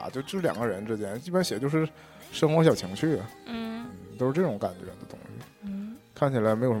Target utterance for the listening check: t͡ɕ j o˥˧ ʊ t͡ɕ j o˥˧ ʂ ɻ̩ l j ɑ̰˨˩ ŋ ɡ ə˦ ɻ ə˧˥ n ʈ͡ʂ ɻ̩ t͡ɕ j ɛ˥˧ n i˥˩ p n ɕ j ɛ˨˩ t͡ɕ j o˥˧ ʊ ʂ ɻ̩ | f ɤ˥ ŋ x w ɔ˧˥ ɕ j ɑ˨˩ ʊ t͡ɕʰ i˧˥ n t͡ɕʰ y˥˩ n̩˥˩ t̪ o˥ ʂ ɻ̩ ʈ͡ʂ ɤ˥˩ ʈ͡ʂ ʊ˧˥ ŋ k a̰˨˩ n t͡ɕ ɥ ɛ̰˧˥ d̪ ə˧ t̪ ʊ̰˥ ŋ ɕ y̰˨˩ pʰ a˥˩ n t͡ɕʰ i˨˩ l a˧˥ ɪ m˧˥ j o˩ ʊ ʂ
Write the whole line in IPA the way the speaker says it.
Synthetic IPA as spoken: t͡ɕ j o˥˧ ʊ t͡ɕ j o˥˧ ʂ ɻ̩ l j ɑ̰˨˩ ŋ ɡ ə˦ ɻ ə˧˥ n ʈ͡ʂ ɻ̩ t͡ɕ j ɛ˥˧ n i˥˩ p n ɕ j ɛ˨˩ t͡ɕ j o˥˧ ʊ ʂ ɻ̩ | ʂ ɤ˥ ŋ x w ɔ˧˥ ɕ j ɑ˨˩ ʊ t͡ɕʰ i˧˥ ŋ t͡ɕʰ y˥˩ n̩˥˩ t̪ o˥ ʂ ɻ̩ ʈ͡ʂ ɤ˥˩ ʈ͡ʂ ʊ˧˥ ŋ k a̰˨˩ n t͡ɕ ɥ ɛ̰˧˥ d̪ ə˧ t̪ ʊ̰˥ ŋ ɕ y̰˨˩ kʰ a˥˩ n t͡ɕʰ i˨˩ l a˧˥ ɪ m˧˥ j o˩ ʊ ʂ